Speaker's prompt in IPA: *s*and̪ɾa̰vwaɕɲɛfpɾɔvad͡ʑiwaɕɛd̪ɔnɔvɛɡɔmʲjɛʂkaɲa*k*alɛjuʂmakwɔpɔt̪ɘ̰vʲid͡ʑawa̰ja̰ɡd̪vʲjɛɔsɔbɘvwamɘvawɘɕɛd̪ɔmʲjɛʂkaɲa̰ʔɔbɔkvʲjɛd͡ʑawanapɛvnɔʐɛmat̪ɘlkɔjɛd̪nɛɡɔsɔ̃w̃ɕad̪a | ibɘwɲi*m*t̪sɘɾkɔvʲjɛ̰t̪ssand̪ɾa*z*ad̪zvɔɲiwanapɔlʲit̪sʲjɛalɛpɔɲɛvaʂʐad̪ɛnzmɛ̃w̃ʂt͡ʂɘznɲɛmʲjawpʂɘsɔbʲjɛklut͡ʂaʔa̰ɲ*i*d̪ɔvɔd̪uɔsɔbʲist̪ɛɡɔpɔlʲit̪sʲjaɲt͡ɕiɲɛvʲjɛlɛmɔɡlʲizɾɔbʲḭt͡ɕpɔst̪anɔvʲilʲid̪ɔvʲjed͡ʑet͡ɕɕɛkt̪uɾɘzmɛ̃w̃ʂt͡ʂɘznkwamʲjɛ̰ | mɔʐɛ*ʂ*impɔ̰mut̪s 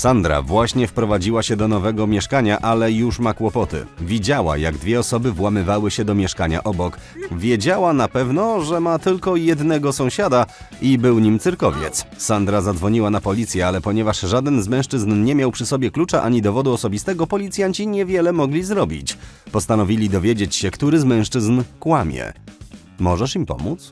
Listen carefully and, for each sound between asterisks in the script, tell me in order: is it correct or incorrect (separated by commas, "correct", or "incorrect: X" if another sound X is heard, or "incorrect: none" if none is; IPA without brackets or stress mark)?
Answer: correct, incorrect: ʔ, correct, correct, correct, correct